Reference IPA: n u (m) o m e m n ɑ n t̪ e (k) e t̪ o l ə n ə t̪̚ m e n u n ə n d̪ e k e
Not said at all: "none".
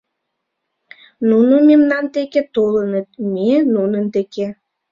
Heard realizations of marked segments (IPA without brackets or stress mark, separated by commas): n, k